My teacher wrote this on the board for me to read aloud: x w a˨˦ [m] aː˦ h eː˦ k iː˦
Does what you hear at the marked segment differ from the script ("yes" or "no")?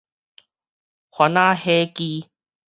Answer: yes